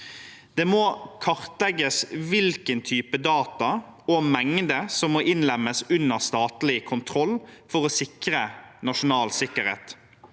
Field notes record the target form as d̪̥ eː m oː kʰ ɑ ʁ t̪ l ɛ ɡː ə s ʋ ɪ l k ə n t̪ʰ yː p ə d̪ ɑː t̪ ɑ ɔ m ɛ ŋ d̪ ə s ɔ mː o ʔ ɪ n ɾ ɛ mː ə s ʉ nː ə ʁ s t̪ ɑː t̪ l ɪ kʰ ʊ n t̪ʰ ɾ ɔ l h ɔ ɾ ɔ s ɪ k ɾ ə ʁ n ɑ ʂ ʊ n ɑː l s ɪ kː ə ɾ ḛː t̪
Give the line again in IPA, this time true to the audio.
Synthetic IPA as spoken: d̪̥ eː m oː kʰ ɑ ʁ t̪ l ɛ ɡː ə s ʋ ɪ l k ə n t̪ʰ yː p ə d̪ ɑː t̪ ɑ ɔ m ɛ ŋ d̪ ə s ɔ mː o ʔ ɪ n l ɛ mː ə s ʉ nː ə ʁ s t̪ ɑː t̪ l ɪ kʰ ʊ n t̪ʰ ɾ ɔ l f ɔ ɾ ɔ s ɪ k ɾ ə n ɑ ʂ ʊ n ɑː l s ɪ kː ə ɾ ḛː t̪